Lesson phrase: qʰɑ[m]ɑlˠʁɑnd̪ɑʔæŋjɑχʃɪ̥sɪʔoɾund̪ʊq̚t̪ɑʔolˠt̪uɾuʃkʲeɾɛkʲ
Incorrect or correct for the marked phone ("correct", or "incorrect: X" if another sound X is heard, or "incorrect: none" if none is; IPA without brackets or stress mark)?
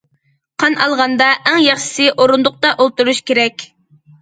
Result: incorrect: n